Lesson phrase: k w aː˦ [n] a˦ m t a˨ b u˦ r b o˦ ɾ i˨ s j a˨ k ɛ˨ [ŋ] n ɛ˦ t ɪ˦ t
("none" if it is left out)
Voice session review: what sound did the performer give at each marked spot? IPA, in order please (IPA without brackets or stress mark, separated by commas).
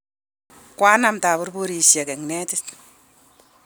n, ŋ